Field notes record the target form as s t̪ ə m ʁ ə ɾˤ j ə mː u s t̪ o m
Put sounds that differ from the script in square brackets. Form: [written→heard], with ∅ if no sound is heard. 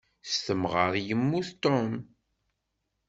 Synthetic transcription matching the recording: s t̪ ə m ʁ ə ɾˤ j ə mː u [s→θ] t̪ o m